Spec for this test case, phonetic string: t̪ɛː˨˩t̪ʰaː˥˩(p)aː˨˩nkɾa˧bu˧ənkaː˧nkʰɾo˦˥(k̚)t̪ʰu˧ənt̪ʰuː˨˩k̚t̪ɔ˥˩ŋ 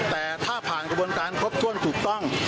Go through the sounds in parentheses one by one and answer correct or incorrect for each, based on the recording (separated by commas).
incorrect, incorrect